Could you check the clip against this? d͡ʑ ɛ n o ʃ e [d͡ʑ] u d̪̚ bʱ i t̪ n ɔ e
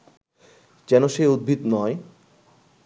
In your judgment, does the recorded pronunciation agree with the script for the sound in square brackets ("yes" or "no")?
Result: no